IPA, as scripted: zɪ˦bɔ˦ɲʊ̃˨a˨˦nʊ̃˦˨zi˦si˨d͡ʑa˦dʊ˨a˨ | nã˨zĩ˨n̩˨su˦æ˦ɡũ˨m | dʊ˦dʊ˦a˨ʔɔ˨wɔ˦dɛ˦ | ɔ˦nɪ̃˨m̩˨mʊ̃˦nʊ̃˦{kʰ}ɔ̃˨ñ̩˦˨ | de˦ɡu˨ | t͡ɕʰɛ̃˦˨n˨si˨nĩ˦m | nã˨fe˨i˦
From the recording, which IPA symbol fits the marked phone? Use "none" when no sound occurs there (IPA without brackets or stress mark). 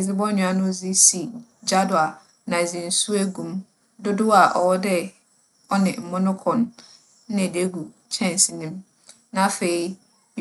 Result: kʰ